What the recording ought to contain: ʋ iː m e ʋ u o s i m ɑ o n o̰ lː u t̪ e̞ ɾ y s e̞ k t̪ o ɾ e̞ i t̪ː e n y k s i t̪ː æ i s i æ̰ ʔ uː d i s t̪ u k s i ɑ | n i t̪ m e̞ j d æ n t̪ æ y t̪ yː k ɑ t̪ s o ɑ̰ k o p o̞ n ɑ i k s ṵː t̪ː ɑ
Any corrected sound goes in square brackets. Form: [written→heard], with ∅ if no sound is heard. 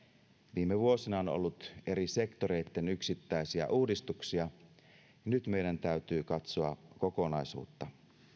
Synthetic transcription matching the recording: ʋ iː m e ʋ u o s i [m→n] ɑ o n o̰ lː u t̪ e̞ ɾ [y→i] s e̞ k t̪ o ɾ e̞ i t̪ː e n y k s i t̪ː æ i s i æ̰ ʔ uː d i s t̪ u k s i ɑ | n [i→y] t̪ m e̞ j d æ n t̪ æ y t̪ yː k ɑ t̪ s o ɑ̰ k o [p→k] o̞ n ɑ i [k→∅] s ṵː t̪ː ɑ